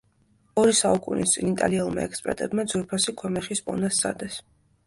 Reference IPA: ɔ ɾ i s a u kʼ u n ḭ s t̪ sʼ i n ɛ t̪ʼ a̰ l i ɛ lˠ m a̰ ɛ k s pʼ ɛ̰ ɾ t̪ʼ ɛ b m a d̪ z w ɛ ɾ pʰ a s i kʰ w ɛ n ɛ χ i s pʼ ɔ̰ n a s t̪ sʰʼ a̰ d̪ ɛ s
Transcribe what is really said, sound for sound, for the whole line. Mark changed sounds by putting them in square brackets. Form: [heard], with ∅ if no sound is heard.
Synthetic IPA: ɔ ɾ i s a u kʼ u n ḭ s t̪ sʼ i n [i] t̪ʼ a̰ l i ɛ lˠ m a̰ ɛ k s pʼ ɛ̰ ɾ t̪ʼ ɛ b m a d̪ z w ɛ ɾ pʰ a s i kʰ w ɛ [m] ɛ χ i s pʼ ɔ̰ n a s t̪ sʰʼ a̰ d̪ ɛ s